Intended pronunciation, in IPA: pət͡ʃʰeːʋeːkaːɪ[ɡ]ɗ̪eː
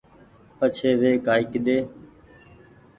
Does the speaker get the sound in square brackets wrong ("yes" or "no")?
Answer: yes